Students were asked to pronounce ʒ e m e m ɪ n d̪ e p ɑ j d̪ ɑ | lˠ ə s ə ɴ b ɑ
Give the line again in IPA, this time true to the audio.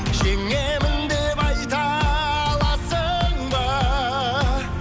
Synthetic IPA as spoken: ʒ e ŋ e m ɪ n d̪ e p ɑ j t̪ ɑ | lˠ ɑ s ə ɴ b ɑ